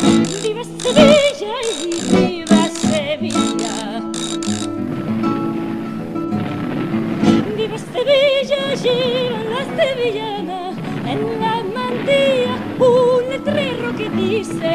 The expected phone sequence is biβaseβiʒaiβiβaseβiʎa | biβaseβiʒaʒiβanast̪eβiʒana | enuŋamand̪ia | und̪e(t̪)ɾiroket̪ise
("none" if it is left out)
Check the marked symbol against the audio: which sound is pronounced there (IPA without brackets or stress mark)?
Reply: t̪